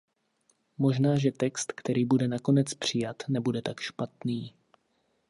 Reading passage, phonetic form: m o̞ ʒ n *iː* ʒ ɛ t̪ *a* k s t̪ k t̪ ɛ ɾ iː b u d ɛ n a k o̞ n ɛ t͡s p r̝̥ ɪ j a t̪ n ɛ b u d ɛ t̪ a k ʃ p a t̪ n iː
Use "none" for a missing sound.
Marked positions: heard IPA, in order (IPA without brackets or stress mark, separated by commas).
aː, ɛ